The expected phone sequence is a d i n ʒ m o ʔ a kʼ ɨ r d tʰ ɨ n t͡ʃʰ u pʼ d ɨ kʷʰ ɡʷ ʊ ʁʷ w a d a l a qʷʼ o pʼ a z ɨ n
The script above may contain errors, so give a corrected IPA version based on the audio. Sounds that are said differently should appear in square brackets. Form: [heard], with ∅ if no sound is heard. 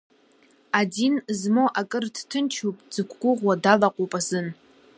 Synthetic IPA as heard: a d i n [z] m o ʔ a kʼ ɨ r d tʰ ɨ n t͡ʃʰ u pʼ [d͡z] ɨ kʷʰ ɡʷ ʊ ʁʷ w a d a l a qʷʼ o pʼ a z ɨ n